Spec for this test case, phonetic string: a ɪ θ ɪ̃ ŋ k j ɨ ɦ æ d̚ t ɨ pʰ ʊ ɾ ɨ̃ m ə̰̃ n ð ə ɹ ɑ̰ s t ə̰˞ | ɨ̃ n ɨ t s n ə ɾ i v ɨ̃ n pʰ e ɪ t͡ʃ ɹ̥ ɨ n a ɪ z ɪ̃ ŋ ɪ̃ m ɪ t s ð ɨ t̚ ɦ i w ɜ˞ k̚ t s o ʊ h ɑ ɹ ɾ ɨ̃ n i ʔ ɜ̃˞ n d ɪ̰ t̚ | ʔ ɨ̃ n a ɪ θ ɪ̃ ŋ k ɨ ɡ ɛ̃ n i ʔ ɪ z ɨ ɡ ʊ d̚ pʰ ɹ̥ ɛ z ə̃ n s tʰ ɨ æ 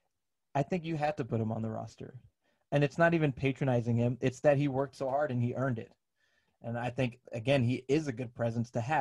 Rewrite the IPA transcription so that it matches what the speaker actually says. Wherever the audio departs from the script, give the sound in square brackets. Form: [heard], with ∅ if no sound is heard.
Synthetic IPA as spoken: a ɪ θ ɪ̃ ŋ k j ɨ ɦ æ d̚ t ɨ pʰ ʊ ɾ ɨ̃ m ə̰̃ n ð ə ɹ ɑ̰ s t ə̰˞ | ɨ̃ n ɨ t s n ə ɾ i v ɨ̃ n pʰ e ɪ t͡ʃ ɹ̥ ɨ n a ɪ z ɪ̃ ŋ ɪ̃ m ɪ t s ð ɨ t̚ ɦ i w ɜ˞ k̚ t s o ʊ h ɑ ɹ ɾ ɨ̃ n i ʔ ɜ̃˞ n d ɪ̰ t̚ | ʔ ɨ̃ n a ɪ θ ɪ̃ ŋ k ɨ ɡ ɛ̃ n i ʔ ɪ z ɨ ɡ ʊ d̚ pʰ ɹ̥ ɛ z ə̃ n s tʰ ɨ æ